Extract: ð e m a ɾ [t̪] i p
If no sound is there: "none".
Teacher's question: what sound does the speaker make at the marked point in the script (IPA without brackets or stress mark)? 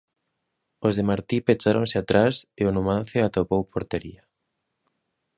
t̪